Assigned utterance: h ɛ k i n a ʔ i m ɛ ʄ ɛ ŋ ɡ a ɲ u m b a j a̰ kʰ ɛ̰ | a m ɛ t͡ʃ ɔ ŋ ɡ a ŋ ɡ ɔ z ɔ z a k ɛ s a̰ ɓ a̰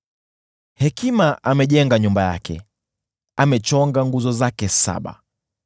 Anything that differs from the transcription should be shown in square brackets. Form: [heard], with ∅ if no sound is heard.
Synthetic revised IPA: h ɛ k i [m] a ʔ [a] m ɛ ʄ ɛ ŋ ɡ a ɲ u m b a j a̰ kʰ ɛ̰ | a m ɛ t͡ʃ ɔ ŋ ɡ a ŋ ɡ [u] z ɔ z a k ɛ s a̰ ɓ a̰